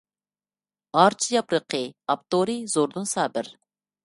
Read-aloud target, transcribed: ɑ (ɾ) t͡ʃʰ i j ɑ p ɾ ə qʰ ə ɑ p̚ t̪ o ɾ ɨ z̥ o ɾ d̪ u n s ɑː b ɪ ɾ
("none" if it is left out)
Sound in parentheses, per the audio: ɾ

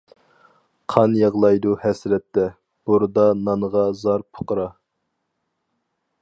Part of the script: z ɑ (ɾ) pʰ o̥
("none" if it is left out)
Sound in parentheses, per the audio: ɾ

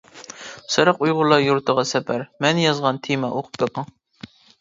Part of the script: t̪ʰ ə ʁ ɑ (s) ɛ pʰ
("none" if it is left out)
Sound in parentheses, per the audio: s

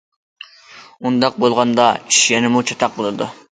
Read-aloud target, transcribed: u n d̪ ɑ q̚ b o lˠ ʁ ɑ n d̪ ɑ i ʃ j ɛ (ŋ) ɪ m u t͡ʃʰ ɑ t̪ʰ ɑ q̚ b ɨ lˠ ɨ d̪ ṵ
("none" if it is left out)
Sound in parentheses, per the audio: n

